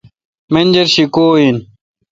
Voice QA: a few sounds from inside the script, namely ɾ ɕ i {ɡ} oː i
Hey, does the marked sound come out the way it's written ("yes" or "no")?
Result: no